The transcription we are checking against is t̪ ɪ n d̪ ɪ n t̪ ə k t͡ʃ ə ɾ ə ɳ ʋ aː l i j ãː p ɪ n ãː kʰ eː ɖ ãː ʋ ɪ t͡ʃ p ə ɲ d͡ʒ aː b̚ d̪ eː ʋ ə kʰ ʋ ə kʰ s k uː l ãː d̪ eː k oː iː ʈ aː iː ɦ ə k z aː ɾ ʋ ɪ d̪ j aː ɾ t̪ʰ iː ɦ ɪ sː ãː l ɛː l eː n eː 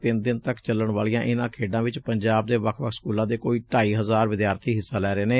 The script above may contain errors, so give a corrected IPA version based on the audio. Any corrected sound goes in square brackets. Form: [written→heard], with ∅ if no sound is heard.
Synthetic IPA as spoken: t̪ ɪ n d̪ ɪ n t̪ ə k t͡ʃ ə [ɾ→l] ə ɳ ʋ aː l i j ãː [p→ʔ] ɪ n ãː kʰ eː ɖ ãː ʋ ɪ t͡ʃ p ə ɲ d͡ʒ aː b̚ d̪ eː ʋ ə kʰ ʋ ə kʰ s k uː l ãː d̪ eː k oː iː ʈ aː iː ɦ ə [k→∅] z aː ɾ ʋ ɪ d̪ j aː ɾ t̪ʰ iː ɦ ɪ sː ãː l ɛː [l→ɾ] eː n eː

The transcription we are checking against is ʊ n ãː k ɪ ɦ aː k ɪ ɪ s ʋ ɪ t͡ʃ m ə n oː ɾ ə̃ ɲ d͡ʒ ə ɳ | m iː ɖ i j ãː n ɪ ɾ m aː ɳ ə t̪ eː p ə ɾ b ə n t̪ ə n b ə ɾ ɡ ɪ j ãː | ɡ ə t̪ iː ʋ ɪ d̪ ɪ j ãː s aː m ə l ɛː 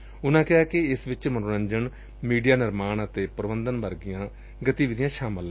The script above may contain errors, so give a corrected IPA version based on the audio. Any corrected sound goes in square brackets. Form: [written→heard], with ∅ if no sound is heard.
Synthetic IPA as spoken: ʊ n ãː k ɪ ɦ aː k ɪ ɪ s ʋ ɪ t͡ʃ m ə n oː ɾ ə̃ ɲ d͡ʒ ə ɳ | m iː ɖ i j [ãː→aː] n ɪ ɾ m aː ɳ ə t̪ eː p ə ɾ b ə n [t̪→d̪] ə n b ə ɾ ɡ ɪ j ãː | ɡ ə t̪ iː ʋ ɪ d̪ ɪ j ãː [s→ʃ] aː m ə l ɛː

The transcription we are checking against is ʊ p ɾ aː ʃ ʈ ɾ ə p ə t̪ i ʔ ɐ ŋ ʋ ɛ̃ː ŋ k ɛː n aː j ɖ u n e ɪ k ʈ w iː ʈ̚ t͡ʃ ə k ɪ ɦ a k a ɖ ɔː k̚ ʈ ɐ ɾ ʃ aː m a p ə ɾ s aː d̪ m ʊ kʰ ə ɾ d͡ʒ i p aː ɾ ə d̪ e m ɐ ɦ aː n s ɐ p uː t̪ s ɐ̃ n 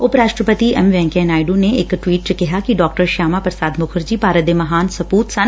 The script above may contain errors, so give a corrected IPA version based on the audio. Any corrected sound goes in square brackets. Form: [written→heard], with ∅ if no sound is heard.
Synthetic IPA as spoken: ʊ p ɾ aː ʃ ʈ ɾ ə p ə t̪ i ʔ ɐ [ŋ→m] ʋ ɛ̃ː ŋ k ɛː n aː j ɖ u n e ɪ k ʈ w iː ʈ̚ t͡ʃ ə k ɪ ɦ a k [a→i] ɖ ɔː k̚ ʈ [ɐ→ə] ɾ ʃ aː m a p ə ɾ s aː d̪ m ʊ kʰ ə ɾ d͡ʒ i p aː ɾ ə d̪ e m ɐ ɦ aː n s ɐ p uː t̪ s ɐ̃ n

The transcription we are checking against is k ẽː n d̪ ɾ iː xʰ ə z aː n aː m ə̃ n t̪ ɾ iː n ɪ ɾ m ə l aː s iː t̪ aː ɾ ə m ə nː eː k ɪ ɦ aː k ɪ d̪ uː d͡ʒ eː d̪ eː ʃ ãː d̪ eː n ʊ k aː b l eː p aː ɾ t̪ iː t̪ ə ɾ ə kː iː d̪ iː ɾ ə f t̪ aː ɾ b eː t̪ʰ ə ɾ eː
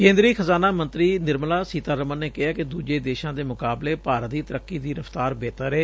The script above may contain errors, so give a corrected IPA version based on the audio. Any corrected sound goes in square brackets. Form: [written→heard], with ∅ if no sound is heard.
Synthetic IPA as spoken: k ẽː n d̪ ɾ iː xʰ ə z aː n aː m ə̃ n t̪ ɾ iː n ɪ ɾ m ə l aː s iː t̪ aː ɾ ə m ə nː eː k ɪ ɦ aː k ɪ d̪ uː d͡ʒ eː d̪ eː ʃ ãː d̪ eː [n→m] ʊ k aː b l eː p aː ɾ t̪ iː t̪ ə ɾ ə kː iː d̪ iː ɾ ə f t̪ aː ɾ b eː [t̪ʰ→t̪] ə ɾ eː

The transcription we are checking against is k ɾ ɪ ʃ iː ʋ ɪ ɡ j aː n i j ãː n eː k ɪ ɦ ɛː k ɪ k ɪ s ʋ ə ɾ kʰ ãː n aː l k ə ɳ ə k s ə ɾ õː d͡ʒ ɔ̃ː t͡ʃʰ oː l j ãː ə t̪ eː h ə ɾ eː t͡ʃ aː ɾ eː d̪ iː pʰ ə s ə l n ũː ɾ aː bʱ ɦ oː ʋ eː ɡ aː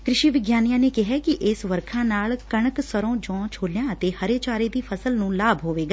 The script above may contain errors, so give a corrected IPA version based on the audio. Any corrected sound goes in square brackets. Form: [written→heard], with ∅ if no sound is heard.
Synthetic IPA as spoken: k ɾ ɪ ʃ iː ʋ ɪ ɡ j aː n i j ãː n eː k ɪ ɦ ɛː k ɪ [k→ʔ] ɪ s ʋ ə ɾ kʰ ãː n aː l k ə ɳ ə k s ə ɾ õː d͡ʒ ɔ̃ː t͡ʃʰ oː l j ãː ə t̪ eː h ə ɾ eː t͡ʃ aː ɾ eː d̪ iː pʰ ə s ə l n ũː [ɾ→l] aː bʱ ɦ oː ʋ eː ɡ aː

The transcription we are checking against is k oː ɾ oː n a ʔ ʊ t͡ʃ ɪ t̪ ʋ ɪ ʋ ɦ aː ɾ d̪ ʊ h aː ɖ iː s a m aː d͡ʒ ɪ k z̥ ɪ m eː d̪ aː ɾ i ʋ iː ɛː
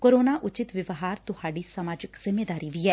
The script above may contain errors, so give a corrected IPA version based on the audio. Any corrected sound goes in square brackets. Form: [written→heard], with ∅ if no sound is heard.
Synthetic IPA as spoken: k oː ɾ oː n a ʔ ʊ t͡ʃ ɪ t̪ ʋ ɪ ʋ ɦ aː ɾ [d̪→t̪] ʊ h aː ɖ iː s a m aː d͡ʒ ɪ k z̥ ɪ m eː d̪ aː ɾ i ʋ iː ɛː

